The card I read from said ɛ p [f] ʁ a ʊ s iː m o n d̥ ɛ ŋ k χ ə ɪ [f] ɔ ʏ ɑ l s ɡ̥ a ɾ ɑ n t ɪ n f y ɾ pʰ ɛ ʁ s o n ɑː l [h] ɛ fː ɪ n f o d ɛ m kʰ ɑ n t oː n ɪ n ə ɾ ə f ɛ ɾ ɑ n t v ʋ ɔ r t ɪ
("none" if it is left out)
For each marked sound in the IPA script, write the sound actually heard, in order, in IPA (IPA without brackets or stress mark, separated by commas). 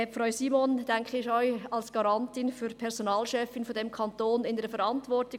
f, ʃ, ʃ